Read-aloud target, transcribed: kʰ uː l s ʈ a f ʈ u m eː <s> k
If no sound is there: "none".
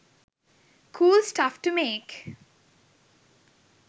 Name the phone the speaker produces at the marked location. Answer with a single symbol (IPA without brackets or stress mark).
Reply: none